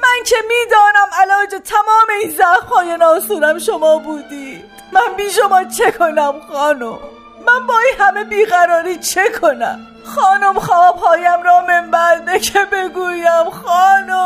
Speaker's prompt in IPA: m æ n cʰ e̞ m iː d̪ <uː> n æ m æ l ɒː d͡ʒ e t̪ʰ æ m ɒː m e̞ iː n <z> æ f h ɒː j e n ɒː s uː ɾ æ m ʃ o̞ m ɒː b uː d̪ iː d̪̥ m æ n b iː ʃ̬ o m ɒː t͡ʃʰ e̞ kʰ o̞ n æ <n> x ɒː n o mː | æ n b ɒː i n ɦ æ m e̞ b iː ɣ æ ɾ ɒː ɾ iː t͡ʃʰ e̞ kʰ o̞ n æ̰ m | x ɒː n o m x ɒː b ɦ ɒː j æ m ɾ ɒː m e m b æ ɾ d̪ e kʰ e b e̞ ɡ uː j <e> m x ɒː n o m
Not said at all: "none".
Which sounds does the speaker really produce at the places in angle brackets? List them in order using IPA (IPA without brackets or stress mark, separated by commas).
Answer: ɒː, z, m, æ